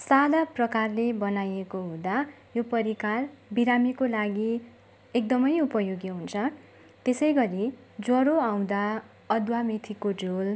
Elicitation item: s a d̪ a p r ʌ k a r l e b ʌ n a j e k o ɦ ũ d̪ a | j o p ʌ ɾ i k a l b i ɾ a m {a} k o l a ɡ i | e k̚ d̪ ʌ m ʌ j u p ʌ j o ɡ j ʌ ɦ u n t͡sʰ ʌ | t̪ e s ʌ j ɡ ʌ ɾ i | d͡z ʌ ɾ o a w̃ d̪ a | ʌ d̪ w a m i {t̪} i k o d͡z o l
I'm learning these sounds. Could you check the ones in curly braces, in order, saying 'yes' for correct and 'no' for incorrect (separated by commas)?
no, no